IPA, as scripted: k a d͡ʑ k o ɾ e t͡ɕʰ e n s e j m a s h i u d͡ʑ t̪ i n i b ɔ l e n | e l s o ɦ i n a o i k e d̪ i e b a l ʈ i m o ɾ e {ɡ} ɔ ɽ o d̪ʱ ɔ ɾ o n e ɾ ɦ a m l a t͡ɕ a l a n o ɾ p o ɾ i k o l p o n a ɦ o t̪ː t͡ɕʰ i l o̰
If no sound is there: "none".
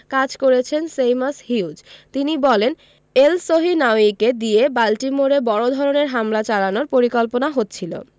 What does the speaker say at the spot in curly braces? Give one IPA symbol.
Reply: b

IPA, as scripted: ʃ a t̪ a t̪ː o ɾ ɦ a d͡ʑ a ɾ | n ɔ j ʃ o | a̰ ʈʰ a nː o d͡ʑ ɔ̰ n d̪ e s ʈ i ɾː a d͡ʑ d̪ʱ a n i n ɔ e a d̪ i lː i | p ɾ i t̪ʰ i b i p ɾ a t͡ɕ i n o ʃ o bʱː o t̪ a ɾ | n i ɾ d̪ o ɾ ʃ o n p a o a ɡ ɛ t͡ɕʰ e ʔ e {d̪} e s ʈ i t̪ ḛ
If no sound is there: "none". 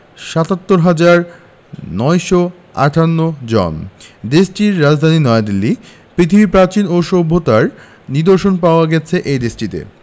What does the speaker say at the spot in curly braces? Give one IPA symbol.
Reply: d̪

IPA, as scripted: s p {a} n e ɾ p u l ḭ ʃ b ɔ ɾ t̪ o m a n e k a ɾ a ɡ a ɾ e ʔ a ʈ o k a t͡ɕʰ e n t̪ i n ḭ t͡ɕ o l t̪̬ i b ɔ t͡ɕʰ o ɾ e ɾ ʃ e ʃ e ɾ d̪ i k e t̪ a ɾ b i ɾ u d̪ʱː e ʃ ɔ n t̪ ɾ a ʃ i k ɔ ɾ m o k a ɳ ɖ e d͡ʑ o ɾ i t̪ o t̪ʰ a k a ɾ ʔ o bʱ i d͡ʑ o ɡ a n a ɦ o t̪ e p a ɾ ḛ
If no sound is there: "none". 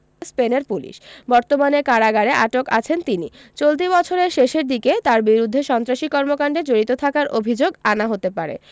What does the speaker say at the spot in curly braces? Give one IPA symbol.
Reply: e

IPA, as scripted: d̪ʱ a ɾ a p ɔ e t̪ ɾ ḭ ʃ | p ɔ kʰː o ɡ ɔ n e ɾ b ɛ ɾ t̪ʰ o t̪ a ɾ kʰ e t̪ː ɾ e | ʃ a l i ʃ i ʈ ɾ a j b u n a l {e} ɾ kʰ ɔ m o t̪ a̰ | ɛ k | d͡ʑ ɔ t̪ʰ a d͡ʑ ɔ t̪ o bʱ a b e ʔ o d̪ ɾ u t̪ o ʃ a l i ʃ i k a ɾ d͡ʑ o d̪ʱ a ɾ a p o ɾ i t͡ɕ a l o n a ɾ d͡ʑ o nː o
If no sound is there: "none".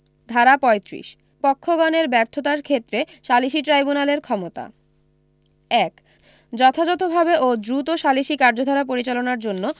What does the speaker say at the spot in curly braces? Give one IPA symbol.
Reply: e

